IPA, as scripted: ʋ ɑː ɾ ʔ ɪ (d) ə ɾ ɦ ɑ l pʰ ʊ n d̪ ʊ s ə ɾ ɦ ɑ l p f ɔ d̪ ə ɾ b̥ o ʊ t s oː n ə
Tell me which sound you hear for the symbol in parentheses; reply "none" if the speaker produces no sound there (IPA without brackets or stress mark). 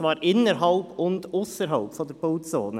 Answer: n